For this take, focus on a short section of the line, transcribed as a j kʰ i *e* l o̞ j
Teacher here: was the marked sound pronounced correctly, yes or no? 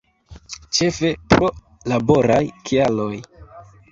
no